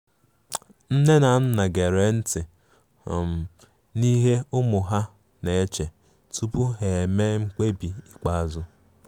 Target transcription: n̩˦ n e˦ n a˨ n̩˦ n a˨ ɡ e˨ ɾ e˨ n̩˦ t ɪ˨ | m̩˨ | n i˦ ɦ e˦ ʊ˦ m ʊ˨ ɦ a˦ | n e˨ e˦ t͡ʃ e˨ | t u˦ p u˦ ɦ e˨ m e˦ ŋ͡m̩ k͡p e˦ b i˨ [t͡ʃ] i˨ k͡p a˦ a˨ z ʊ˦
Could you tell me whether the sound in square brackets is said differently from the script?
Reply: yes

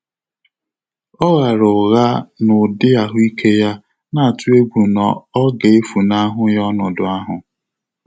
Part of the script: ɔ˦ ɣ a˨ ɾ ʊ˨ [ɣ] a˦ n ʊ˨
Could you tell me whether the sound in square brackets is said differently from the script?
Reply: no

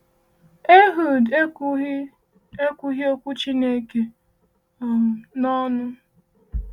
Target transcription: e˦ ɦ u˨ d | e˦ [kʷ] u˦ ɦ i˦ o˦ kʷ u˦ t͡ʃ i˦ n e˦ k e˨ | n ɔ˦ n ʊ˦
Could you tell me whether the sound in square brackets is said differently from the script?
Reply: no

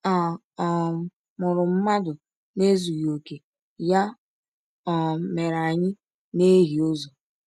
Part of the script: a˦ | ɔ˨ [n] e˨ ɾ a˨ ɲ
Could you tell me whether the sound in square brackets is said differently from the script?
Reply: yes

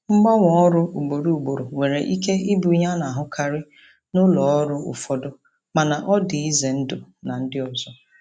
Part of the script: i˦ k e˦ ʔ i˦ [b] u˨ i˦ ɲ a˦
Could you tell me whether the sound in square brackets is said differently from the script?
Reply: no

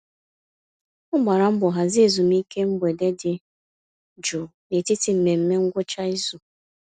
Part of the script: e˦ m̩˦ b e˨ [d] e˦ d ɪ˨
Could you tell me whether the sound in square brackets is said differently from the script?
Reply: no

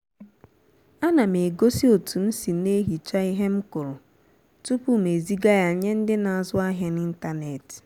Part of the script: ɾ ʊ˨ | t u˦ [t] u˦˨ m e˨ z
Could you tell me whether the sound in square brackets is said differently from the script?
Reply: yes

